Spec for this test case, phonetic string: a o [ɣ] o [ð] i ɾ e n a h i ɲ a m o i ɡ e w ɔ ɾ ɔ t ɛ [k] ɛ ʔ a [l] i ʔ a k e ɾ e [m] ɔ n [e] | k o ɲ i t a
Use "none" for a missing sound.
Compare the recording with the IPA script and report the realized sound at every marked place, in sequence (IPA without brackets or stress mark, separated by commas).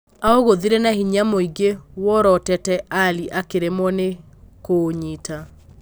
ɣ, ð, t, l, m, e